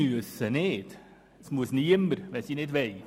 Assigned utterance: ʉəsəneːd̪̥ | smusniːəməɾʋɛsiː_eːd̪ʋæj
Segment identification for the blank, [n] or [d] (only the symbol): n